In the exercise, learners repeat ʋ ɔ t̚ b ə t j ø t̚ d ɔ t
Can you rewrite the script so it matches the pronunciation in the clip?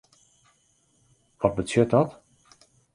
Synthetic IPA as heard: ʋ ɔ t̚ b ə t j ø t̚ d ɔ t